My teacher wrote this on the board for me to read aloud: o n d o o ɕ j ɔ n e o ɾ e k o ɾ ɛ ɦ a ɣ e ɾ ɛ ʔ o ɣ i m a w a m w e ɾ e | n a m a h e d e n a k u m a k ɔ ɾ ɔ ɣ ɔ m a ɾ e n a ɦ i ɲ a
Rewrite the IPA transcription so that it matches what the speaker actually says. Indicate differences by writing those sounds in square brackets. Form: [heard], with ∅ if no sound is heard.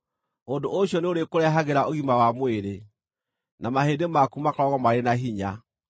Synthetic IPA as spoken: o n d o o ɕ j ɔ n e o ɾ e k o ɾ ɛ ɦ a ɣ e ɾ [a] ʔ o ɣ i m a w a m w e ɾ e | n a m a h e d e [m] a k u m a k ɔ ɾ ɔ ɣ ɔ m a ɾ e n a ɦ i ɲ a